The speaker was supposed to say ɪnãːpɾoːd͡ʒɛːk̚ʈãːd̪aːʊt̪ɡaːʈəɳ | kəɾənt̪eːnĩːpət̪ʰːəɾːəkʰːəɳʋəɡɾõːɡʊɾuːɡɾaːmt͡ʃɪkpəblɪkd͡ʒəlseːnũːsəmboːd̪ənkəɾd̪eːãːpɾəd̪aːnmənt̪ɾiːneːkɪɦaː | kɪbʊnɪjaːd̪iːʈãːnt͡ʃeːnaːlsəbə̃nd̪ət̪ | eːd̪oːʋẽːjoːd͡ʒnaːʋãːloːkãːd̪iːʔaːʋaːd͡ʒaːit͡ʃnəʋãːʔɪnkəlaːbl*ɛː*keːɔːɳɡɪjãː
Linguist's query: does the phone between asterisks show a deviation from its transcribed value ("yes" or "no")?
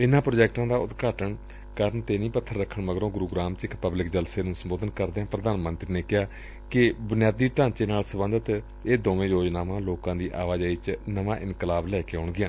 no